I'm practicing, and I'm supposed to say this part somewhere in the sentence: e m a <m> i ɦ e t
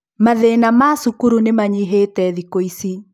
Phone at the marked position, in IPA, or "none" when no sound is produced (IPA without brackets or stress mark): ɲ